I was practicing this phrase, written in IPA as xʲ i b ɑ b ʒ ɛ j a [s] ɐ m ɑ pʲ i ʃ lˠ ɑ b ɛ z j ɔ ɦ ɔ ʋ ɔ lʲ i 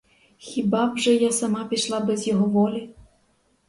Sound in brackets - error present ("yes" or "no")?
no